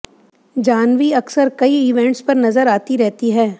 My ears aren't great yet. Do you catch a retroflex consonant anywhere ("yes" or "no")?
yes